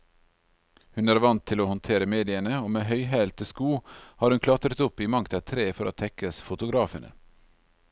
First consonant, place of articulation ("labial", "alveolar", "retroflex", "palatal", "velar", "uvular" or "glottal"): glottal